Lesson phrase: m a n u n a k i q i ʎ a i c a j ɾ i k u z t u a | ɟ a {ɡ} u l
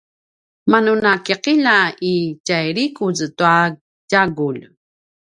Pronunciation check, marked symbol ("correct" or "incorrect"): correct